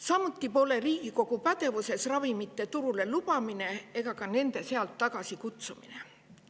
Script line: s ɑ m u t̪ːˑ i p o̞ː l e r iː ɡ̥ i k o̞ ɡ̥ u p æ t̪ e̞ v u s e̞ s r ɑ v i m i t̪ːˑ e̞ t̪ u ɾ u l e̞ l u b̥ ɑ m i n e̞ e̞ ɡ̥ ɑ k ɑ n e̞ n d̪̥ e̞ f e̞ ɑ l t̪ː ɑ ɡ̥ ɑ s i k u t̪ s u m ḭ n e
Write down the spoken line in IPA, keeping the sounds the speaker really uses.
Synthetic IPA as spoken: s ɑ m u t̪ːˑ i p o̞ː l e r iː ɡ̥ i k o̞ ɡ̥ u p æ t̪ e̞ v u s e̞ s r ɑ v i m i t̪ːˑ e̞ t̪ u ɾ u l e̞ l u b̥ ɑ m i n e̞ e̞ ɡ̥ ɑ k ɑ n e̞ n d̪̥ e̞ s e̞ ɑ l t̪ː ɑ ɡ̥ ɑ s i k u t̪ s u m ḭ n e